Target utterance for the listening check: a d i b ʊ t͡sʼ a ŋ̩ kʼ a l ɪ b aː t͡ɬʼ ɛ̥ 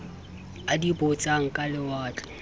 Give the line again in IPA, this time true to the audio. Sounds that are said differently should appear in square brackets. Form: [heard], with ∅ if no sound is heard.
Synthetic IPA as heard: a d i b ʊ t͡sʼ a ŋ̩ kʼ a l ɪ [w] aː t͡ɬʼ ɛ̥